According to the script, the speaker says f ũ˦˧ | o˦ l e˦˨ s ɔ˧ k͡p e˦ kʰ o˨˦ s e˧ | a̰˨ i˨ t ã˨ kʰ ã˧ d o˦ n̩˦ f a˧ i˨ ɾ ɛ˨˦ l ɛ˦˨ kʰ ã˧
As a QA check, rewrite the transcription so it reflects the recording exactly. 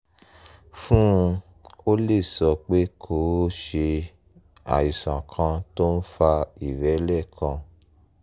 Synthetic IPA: f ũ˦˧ | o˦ l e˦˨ s ɔ˧ k͡p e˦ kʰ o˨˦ ʃ e˧ | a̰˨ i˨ s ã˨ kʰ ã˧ t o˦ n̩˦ f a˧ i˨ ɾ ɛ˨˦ l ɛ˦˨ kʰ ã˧

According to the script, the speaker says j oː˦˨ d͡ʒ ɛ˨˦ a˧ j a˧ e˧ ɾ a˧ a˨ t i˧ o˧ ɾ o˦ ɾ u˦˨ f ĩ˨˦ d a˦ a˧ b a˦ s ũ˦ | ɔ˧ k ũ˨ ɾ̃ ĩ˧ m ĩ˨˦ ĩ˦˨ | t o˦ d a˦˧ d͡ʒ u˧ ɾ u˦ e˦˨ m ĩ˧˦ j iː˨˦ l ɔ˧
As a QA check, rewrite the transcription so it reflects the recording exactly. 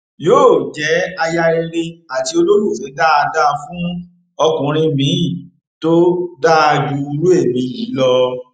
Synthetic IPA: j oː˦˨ d͡ʒ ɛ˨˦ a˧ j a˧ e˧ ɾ e˧ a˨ t i˧ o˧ l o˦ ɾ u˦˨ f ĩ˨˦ d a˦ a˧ d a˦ f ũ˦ | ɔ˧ k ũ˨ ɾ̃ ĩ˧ m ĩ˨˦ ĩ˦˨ | t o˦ d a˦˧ d͡ʒ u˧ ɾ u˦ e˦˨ m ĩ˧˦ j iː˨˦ l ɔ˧

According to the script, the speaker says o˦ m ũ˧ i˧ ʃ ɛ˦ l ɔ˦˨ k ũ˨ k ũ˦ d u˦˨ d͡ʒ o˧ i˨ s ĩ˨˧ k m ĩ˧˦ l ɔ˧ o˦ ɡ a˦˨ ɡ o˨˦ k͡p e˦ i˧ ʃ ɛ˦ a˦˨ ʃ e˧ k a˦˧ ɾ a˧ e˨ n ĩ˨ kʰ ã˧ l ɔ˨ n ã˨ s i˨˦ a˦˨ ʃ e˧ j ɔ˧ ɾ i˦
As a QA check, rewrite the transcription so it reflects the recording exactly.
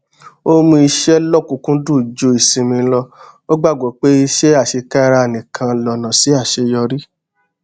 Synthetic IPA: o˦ m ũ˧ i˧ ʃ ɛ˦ l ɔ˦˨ k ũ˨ k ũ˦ d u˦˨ d͡ʒ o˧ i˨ s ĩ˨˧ m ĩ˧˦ l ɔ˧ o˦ ɡ͡b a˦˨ ɡ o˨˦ k͡p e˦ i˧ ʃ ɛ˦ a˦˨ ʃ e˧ k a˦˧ ɾ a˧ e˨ n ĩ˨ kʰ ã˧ l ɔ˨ n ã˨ s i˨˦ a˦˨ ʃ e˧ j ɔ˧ ɾ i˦

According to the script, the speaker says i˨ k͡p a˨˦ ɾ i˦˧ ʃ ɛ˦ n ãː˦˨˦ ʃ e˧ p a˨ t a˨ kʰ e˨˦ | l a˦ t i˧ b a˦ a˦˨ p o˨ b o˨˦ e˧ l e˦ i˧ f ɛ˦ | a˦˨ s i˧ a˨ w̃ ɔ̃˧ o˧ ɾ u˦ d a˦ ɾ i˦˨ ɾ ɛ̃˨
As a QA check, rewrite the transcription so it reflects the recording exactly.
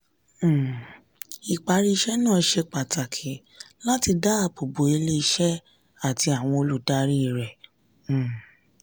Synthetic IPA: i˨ k͡p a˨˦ ɾ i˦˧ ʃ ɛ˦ n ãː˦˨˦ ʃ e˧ k͡p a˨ t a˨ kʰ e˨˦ | l a˦ t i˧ d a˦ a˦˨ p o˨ b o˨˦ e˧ l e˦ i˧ ʃ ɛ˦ | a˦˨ t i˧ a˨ w̃ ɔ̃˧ o˧ l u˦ d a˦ ɾ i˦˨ ɾ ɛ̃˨

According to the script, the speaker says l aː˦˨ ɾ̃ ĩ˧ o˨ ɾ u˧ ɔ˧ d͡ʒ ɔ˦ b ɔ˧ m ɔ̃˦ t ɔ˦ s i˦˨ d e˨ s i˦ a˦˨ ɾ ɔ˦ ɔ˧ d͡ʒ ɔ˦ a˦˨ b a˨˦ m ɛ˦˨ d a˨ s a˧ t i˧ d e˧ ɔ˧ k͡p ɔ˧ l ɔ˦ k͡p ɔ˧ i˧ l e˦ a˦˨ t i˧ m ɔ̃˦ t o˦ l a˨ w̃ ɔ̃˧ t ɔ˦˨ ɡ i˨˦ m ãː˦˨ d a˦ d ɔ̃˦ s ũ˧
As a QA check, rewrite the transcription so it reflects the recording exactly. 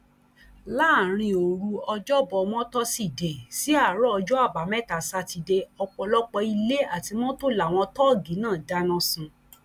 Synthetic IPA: l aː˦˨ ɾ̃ ĩ˧ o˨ ɾ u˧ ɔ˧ d͡ʒ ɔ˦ b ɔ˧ m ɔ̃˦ t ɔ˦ s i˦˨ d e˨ s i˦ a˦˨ ɾ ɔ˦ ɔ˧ d͡ʒ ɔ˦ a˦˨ b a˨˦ m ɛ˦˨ t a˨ s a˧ t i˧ d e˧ ɔ˧ k͡p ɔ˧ l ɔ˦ k͡p ɔ˧ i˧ l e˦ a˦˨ t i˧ m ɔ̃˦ t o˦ l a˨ w̃ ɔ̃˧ t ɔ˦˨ ɡ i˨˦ n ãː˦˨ d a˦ n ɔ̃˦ s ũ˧

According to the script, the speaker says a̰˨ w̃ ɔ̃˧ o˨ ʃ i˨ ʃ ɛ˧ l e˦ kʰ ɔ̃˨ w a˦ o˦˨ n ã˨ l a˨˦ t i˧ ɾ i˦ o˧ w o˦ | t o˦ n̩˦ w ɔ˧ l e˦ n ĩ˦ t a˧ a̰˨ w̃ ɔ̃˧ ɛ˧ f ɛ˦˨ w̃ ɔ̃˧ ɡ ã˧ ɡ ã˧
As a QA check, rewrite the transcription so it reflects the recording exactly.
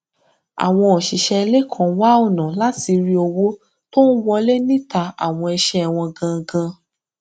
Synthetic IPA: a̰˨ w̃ ɔ̃˧ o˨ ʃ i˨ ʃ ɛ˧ l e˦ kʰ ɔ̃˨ w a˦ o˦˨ n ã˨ l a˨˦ t i˧ ɾ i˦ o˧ w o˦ | t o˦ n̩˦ w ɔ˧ l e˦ n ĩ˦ t a˧ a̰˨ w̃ ɔ̃˧ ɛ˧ ʃ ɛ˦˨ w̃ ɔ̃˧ ɡ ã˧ ɡ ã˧

